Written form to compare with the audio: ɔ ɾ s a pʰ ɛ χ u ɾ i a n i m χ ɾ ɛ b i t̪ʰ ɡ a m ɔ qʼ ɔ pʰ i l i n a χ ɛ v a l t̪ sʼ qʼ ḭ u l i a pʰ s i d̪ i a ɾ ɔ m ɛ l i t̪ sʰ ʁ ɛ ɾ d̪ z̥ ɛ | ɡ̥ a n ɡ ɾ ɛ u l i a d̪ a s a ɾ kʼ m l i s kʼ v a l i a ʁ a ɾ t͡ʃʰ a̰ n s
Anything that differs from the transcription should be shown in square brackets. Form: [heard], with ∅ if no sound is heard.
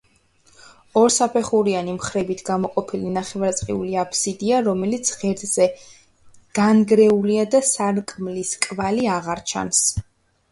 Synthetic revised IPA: ɔ ɾ s a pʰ ɛ χ u ɾ i a n i m χ ɾ ɛ b i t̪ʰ ɡ a m ɔ qʼ ɔ pʰ i l i n a χ ɛ v a [ɾ] t̪ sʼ qʼ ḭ u l i a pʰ s i d̪ i a ɾ ɔ m ɛ l i t̪ sʰ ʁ ɛ ɾ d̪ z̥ ɛ | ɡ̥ a n ɡ ɾ ɛ u l i a d̪ a s a ɾ kʼ m l i s kʼ v a l i a ʁ a ɾ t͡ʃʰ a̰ n s